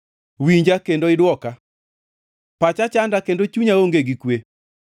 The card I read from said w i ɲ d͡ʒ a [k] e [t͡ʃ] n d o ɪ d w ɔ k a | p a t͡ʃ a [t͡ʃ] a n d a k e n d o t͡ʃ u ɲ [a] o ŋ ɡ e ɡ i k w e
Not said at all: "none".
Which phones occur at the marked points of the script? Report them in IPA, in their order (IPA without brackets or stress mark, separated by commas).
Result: k, none, t͡ʃ, a